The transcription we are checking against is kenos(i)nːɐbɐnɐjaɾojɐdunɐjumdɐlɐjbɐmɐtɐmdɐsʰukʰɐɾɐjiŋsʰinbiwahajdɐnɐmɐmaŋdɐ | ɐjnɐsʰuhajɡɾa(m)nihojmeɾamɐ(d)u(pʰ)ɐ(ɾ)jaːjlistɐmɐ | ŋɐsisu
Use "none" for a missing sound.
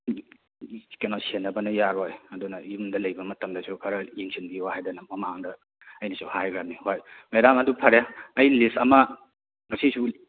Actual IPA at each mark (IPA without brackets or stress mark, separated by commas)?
e, m, d, pʰ, ɾ